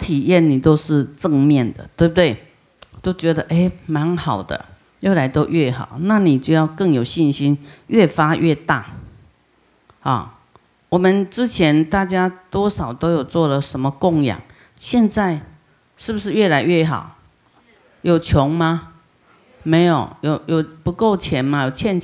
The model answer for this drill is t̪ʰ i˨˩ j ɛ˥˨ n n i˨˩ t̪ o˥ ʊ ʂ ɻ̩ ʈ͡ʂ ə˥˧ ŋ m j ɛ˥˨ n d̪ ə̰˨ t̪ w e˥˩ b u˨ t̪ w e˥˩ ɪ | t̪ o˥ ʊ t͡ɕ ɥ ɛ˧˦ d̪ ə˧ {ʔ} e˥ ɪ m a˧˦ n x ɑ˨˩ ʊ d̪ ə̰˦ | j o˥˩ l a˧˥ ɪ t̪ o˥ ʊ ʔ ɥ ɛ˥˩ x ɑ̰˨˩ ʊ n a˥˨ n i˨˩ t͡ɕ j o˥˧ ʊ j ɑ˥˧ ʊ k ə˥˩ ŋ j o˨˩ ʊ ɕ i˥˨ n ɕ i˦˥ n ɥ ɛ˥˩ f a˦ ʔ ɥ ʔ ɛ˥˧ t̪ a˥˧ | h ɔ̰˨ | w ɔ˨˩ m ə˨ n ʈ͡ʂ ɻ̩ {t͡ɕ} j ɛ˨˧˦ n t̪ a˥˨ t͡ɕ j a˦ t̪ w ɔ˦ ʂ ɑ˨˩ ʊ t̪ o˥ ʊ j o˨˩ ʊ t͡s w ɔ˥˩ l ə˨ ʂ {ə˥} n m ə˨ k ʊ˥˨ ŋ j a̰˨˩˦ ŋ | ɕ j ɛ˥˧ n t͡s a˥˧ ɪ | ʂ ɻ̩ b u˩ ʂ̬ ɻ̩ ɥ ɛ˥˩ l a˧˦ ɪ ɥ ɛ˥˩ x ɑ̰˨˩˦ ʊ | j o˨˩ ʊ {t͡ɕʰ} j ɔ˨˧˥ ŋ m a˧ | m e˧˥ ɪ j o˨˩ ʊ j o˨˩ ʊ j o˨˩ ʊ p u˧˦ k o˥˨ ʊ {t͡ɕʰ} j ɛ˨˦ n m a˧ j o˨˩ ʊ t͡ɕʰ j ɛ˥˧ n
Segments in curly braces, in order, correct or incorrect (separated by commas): correct, incorrect, incorrect, correct, correct